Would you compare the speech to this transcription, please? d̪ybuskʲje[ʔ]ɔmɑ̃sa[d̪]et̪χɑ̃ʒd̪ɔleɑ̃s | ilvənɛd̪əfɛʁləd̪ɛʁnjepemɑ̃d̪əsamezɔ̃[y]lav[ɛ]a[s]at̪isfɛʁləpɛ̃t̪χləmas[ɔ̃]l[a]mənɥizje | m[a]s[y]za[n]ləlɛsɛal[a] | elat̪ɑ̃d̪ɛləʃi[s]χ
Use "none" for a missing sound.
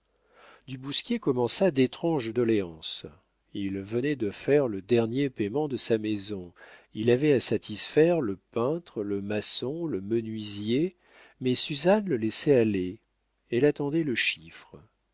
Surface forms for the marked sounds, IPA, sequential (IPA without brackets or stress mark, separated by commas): k, d̪, i, ɛ, s, ɔ̃, ə, ɛ, y, n, e, f